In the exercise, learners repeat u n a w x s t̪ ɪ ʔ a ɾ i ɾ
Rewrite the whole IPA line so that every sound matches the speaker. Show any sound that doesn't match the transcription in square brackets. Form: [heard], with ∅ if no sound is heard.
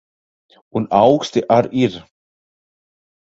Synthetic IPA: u n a w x s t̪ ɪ ʔ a ɾ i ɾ